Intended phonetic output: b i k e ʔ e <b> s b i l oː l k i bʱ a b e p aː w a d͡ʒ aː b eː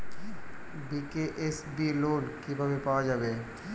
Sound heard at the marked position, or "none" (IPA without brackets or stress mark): none